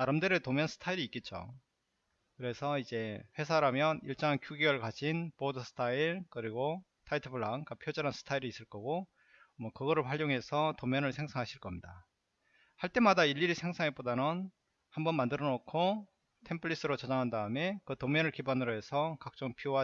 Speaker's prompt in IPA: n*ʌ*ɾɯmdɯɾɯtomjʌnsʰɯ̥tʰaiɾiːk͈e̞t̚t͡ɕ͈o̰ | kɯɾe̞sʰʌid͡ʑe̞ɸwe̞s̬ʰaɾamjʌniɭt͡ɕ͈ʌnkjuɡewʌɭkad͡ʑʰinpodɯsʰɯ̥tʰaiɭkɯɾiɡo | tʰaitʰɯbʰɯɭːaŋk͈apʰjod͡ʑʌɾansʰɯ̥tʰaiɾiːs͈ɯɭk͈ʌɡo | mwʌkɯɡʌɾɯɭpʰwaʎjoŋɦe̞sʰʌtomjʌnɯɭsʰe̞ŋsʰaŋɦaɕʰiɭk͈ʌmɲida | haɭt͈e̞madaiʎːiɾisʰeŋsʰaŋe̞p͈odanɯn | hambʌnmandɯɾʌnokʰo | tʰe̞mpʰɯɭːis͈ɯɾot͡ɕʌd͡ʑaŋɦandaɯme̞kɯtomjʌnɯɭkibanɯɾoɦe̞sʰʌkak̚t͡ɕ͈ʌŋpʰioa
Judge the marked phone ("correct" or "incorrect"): incorrect